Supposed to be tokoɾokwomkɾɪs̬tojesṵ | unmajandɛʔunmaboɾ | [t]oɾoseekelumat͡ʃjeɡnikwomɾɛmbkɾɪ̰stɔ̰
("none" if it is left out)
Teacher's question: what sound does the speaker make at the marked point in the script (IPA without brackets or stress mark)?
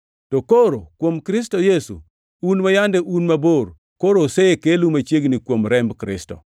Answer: k